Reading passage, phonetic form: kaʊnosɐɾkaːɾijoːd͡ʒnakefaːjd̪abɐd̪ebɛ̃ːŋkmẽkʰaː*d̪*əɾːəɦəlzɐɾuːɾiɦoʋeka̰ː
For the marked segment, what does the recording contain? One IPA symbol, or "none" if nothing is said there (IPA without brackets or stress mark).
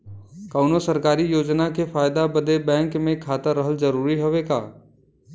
t̪